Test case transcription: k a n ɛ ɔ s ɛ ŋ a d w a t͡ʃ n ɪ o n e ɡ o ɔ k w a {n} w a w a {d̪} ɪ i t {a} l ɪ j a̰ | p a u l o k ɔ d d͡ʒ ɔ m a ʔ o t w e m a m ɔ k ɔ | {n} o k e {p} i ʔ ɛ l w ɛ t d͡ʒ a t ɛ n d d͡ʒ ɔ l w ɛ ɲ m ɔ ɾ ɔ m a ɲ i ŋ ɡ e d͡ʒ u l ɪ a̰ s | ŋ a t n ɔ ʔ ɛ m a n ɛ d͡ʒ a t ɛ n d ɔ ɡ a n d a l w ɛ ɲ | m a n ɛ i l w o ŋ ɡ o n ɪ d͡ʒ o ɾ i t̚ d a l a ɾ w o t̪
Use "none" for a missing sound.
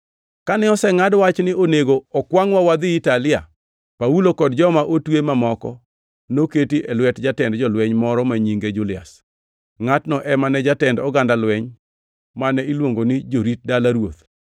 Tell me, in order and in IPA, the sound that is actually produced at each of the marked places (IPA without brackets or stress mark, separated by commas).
ŋ, d̪, a, n, t